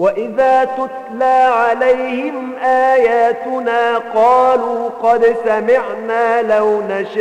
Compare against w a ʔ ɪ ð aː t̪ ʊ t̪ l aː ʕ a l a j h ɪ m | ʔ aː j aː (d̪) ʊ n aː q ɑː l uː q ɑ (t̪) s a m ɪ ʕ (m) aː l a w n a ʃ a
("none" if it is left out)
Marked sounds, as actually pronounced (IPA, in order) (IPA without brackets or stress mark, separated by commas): t̪, d̪, n